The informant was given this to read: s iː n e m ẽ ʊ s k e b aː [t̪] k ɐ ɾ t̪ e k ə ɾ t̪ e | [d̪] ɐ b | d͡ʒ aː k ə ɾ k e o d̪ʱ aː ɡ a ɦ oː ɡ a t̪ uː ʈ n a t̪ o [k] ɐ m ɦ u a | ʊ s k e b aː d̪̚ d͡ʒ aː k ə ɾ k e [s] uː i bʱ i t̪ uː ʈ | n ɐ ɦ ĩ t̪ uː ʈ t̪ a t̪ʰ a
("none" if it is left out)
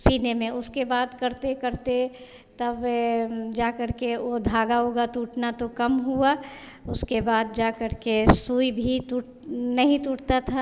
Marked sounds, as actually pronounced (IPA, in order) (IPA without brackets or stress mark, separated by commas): d̪, t̪, k, s